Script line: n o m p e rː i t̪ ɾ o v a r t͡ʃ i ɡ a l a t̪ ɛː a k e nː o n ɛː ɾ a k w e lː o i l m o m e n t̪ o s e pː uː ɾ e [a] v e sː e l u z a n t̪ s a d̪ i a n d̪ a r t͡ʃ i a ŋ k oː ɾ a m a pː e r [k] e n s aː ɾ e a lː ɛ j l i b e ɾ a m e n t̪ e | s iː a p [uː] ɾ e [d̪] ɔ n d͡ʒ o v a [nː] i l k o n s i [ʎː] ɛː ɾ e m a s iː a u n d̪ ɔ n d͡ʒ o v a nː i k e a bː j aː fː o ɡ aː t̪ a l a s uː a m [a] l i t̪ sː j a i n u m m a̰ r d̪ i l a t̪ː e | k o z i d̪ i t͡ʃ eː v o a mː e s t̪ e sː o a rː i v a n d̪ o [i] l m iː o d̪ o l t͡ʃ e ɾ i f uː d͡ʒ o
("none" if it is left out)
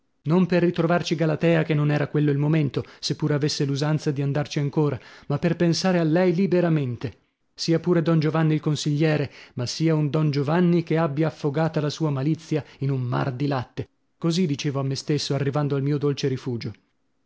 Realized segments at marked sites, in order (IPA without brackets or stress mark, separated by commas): a, p, uː, d̪, nː, ʎː, a, a